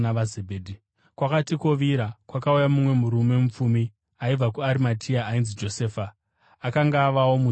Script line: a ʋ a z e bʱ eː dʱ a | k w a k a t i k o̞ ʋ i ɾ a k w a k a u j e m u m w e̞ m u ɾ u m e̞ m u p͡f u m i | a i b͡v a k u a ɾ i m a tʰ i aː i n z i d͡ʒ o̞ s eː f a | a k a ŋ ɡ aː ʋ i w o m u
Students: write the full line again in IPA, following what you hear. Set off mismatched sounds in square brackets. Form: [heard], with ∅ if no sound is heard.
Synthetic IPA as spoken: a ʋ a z e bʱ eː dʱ [i] | k w a k a t i k o̞ ʋ i ɾ a k w a k a u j [a] m u m w e̞ m u ɾ u m e̞ m u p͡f u m i | a i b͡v a k u a ɾ i m a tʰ i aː i n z i d͡ʒ o̞ s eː f a | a k a ŋ ɡ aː ʋ [a] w o m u

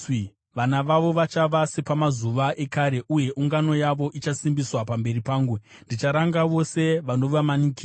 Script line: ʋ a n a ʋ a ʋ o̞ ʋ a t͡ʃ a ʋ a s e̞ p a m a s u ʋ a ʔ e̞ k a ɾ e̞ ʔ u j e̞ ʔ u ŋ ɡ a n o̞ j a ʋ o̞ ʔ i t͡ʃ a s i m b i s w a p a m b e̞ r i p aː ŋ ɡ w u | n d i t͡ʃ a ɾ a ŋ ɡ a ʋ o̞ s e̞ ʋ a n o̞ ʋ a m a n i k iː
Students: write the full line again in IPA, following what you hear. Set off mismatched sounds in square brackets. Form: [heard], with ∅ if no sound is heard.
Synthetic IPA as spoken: ʋ a n a ʋ a ʋ o̞ ʋ a t͡ʃ a ʋ a s e̞ p a m a [z] u ʋ a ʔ e̞ k a ɾ e̞ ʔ u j e̞ ʔ u ŋ ɡ a n o̞ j a ʋ o̞ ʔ i t͡ʃ a s i m b i s w a p a m b e̞ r i p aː ŋ ɡ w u | n d i t͡ʃ a ɾ a ŋ ɡ a ʋ o̞ s e̞ ʋ a n o̞ ʋ a m a n i k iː

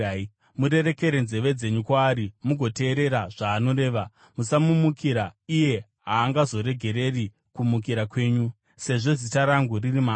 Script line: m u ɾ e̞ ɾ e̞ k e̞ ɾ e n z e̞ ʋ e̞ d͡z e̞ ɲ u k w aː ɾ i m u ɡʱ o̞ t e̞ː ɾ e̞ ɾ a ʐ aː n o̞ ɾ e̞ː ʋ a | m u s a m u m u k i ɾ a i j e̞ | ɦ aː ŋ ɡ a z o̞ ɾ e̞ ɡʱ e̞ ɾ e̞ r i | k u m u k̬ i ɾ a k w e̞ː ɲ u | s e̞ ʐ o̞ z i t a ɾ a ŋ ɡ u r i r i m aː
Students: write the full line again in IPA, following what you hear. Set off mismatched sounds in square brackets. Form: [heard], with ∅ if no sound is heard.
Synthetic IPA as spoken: m u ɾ e̞ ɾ e̞ k e̞ ɾ e n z e̞ ʋ e̞ d͡z e̞ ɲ u k w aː ɾ i m u ɡʱ o̞ t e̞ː ɾ e̞ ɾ a ʐ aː n o̞ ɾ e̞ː ʋ a | m u s a m u m u k i ɾ a i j e̞ | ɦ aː ŋ ɡ a z o̞ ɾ e̞ ɡʱ e̞ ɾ e̞ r i | k u m u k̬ i ɾ a k w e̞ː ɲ u | s e̞ ʐ o̞ z i t a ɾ a ŋ ɡ u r i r i m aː

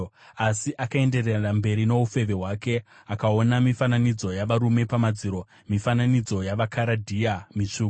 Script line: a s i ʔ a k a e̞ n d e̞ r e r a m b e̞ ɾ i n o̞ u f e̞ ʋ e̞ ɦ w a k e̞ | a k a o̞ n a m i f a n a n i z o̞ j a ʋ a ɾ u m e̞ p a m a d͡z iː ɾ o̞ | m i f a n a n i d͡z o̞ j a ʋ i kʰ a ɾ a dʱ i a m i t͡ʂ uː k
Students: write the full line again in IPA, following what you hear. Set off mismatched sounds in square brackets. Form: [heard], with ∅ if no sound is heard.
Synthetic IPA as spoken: a s i ʔ a k a e̞ n d e̞ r e r a m b e̞ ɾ i n o̞ u f e̞ ʋ e̞ ɦ w a k e̞ | a k a o̞ n a m i f a n a n i [d͡z] o̞ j a ʋ a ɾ u m e̞ p a m a d͡z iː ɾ o̞ | m i f a n a n i d͡z o̞ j a ʋ [a] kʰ a ɾ a dʱ i a m i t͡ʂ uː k

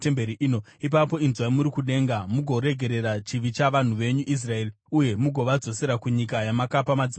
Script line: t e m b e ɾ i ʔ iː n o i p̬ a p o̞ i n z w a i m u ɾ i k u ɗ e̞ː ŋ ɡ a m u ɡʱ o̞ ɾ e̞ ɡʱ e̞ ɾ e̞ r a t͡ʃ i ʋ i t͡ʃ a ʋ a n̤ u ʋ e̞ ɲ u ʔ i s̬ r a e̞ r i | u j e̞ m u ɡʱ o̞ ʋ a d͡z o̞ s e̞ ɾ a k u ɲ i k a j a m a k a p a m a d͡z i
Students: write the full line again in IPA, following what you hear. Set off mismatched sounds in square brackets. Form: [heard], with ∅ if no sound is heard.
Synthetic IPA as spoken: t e m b e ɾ i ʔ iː n o i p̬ a p o̞ i n z w a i m u ɾ i k u ɗ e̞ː ŋ ɡ a m u ɡʱ o̞ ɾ e̞ ɡʱ e̞ ɾ e̞ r a t͡ʃ i ʋ i t͡ʃ a ʋ a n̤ u ʋ e̞ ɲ u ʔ i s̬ r a e̞ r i | u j e̞ m u ɡʱ o̞ ʋ a d͡z o̞ s e̞ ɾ a k u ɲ i k a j a m a k a p a m a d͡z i

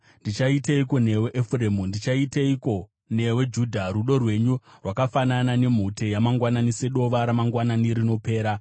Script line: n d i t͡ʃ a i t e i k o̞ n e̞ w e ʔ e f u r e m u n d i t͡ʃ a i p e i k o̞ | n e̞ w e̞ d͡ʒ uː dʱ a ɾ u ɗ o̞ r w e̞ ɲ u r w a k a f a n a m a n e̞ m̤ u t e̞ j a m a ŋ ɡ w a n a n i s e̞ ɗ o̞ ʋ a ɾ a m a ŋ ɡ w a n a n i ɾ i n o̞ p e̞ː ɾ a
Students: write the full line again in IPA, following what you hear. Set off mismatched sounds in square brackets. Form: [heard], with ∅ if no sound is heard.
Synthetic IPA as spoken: n d i t͡ʃ a i t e i k o̞ n e̞ w e ʔ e f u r e m u n d i t͡ʃ a i [t] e i k o̞ | n e̞ w e̞ d͡ʒ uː dʱ a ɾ u ɗ o̞ r w e̞ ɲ u r w a k a f a n a [n] a n e̞ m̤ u t e̞ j a m a ŋ ɡ w a n a n i s e̞ ɗ o̞ ʋ a ɾ a m a ŋ ɡ w a n a n i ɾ i n o̞ p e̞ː ɾ a

